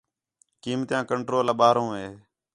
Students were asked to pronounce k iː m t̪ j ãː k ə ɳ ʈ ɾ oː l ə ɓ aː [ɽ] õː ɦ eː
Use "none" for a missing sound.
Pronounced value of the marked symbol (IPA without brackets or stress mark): ɾ